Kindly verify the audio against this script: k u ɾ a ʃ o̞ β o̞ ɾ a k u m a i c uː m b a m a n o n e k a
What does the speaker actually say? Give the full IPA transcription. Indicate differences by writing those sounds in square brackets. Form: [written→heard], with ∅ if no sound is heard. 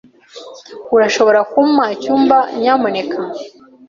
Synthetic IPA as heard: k u ɾ a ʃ o̞ β o̞ ɾ a k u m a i c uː m b a [m→ɲ] a [n→m] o n e k a